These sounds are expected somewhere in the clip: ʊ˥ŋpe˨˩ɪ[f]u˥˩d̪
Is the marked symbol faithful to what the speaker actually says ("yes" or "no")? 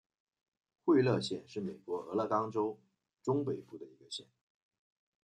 yes